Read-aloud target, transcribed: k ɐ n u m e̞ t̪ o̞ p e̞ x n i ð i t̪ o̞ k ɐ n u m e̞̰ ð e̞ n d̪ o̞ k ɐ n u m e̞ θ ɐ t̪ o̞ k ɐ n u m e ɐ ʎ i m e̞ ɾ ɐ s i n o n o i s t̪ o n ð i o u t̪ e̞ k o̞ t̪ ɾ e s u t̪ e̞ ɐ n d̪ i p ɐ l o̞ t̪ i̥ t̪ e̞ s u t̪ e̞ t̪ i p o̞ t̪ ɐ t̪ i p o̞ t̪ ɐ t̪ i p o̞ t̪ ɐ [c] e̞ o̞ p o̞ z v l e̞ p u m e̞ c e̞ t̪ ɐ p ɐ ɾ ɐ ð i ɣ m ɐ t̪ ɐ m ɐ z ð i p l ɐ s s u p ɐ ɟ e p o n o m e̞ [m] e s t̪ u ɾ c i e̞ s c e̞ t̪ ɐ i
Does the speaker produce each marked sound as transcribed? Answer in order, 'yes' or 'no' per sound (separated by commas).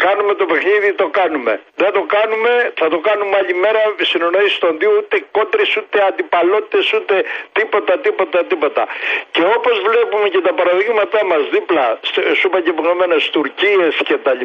yes, no